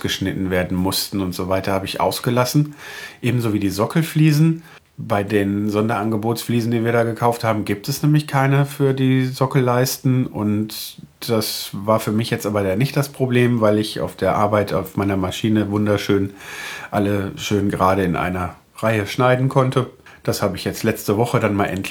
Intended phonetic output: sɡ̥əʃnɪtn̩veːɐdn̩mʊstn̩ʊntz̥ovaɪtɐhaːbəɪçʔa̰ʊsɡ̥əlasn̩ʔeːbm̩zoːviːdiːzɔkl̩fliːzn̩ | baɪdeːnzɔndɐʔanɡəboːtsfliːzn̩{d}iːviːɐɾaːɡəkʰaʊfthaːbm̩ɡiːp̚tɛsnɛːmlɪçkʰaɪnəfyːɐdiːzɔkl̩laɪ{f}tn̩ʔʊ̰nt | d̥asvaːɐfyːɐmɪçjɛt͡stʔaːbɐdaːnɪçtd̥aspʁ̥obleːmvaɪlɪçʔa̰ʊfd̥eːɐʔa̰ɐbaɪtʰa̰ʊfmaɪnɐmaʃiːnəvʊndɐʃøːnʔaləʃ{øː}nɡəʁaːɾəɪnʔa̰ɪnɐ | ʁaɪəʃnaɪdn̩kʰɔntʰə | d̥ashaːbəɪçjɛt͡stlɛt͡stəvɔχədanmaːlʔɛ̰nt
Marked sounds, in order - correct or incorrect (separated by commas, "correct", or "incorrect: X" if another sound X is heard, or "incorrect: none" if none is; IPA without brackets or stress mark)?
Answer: correct, incorrect: s, correct